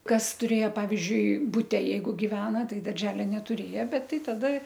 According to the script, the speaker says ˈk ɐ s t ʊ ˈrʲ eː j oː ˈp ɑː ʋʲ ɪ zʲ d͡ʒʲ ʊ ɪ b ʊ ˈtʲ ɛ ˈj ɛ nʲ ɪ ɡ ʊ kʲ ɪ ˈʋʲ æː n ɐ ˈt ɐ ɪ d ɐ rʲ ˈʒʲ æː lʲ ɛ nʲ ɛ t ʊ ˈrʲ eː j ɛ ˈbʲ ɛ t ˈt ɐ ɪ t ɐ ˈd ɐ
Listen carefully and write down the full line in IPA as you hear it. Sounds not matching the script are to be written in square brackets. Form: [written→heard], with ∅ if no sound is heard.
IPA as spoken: ˈk ɐ s t ʊ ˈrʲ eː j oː ˈp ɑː ʋʲ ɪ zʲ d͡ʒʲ ʊ ɪ b ʊ ˈtʲ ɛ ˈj ɛ [nʲ→∅] ɪ ɡ ʊ [kʲ→ɡʲ] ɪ ˈʋʲ æː n ɐ ˈt ɐ ɪ d ɐ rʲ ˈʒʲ æː lʲ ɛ nʲ ɛ t ʊ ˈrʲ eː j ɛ ˈbʲ ɛ t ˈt ɐ ɪ t ɐ ˈd ɐ